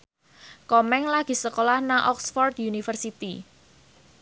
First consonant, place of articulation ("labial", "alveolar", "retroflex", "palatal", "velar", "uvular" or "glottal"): velar